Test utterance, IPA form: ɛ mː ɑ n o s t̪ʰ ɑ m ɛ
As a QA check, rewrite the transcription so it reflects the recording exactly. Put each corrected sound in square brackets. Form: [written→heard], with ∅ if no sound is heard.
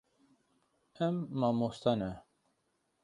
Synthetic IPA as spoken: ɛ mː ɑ [n→m] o s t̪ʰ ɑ [m→n] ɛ

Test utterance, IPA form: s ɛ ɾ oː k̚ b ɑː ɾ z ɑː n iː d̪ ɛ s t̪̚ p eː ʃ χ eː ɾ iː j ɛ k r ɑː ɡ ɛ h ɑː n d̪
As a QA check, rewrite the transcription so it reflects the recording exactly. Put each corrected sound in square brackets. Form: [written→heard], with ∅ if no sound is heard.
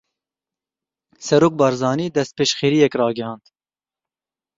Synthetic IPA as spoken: s ɛ ɾ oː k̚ b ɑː ɾ z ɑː n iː d̪ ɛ s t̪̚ p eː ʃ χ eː ɾ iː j ɛ k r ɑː ɡ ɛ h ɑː n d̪

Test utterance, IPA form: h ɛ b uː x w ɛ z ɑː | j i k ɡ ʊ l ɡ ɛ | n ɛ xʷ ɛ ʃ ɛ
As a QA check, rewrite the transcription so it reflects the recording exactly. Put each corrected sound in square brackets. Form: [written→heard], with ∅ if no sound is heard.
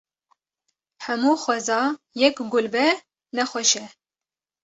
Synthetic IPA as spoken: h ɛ [b→m] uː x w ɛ z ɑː | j [i→ɛ] k ɡ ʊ l [ɡ→b] ɛ | n ɛ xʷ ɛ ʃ ɛ

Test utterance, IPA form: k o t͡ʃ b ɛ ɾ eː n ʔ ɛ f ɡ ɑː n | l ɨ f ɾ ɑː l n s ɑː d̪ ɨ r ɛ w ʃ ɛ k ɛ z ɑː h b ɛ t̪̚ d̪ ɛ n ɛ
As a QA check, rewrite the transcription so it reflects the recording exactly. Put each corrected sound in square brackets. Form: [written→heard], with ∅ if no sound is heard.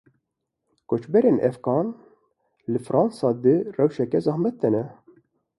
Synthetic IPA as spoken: k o t͡ʃ b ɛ ɾ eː n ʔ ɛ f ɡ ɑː n | l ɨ f ɾ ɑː [l→∅] n s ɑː d̪ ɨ r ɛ w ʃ ɛ k ɛ z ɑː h [b→m] ɛ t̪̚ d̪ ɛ n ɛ

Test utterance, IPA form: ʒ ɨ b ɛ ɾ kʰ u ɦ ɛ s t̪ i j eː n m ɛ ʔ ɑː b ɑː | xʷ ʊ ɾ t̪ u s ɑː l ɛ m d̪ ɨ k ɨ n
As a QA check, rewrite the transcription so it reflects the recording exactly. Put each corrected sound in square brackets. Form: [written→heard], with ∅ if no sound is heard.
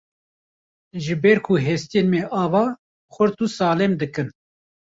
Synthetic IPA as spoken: ʒ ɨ b ɛ ɾ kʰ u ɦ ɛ s t̪ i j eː n m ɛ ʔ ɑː [b→v] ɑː | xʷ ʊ ɾ t̪ u s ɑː l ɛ m d̪ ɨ k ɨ n

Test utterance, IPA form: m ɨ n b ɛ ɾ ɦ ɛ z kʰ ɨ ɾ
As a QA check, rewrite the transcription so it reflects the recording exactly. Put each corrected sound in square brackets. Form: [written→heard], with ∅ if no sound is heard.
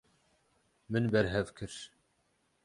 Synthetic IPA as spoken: m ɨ n b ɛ ɾ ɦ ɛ [z→v] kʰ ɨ ɾ

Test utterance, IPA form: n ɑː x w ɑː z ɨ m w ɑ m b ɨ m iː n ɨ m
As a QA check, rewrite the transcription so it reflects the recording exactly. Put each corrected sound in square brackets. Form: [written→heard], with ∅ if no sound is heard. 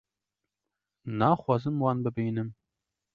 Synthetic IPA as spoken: n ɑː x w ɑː z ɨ m w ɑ [m→n] b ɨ [m→b] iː n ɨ m

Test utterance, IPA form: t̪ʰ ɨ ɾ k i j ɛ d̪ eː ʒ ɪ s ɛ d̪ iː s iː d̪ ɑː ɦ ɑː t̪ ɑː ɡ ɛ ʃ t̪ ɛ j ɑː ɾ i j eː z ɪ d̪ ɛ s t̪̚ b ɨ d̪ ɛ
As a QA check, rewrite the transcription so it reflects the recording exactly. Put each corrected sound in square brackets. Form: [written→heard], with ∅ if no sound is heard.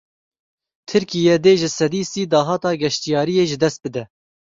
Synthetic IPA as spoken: t̪ʰ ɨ ɾ k i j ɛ d̪ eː ʒ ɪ s ɛ d̪ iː s iː d̪ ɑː ɦ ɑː t̪ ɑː ɡ ɛ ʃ t̪ [ɛ→i] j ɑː ɾ i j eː [z→ʒ] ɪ d̪ ɛ s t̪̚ b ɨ d̪ ɛ

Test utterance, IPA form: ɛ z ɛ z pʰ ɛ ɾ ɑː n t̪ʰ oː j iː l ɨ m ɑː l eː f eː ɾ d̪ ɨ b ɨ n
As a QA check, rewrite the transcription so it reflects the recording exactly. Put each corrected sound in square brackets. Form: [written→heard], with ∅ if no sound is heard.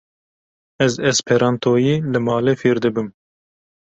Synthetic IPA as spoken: ɛ z ɛ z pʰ ɛ ɾ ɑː n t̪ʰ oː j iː l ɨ m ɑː l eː f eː ɾ d̪ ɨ b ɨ [n→m]

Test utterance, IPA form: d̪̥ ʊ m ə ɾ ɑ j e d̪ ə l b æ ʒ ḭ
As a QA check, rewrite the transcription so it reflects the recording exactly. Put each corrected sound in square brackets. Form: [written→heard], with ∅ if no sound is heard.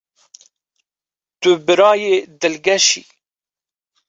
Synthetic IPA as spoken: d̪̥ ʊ [m→b] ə ɾ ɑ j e d̪ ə l [b→ɡ] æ [ʒ→ʃ] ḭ

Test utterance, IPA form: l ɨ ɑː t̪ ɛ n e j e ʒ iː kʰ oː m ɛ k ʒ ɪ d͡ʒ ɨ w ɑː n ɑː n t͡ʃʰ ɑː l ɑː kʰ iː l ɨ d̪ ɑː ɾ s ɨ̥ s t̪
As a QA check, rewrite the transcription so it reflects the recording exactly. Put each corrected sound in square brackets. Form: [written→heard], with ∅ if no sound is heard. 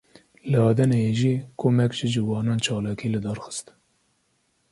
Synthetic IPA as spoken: l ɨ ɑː [t̪→d̪] ɛ n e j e ʒ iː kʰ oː m ɛ k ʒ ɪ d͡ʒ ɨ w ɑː n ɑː n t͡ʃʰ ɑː l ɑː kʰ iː l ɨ d̪ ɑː ɾ [s→x] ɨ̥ s t̪

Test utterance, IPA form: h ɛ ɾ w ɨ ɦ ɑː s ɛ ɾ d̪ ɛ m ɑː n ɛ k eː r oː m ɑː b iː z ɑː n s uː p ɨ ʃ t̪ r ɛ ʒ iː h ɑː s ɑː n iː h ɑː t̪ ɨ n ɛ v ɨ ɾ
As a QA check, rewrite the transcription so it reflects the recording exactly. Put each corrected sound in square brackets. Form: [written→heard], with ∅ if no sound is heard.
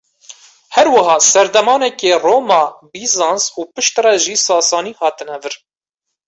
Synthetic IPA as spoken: h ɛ ɾ w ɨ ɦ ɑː s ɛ ɾ d̪ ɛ m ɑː n ɛ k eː r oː m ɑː b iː z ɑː n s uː p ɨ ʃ t̪ r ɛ ʒ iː [h→s] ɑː s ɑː n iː h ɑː t̪ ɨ n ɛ v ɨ ɾ

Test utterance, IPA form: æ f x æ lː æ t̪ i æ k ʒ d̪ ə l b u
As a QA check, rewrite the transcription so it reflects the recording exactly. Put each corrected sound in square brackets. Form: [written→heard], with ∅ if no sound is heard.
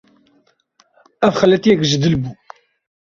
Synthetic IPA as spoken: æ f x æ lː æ t̪ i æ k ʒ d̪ ə l b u

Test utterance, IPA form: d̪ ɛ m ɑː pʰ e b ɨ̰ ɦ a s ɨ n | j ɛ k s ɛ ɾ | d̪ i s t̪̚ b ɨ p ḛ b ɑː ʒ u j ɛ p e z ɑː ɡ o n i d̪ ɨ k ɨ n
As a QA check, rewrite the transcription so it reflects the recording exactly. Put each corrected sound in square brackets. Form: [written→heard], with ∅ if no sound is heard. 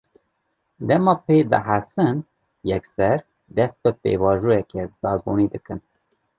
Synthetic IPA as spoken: d̪ ɛ m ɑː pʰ e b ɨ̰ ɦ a s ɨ n | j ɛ k s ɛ ɾ | d̪ [i→ɛ] s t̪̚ b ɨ p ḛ [b→v] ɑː ʒ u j ɛ [p→k] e z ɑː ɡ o n i d̪ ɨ k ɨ n

